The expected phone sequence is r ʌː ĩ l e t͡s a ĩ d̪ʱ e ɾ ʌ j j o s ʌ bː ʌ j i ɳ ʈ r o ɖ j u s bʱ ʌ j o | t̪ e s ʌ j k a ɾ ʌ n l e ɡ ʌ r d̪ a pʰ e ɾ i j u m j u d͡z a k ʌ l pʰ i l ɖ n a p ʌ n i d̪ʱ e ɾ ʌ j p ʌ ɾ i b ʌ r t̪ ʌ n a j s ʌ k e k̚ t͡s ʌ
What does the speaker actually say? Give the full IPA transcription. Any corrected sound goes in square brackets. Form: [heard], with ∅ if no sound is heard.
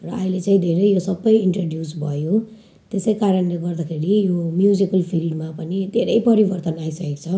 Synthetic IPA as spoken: r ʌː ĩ l e t͡s a ĩ d̪ʱ e ɾ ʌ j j o s ʌ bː ʌ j i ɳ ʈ r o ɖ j u s bʱ ʌ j o | t̪ e s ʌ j k a ɾ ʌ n l e ɡ ʌ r d̪ a [kʰ] e ɾ i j [o] m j u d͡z [i] k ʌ l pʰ i l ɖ [m] a p ʌ n i d̪ʱ e ɾ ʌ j p ʌ ɾ i b ʌ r t̪ ʌ n a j s ʌ k e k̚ [t͡sʰ] ʌ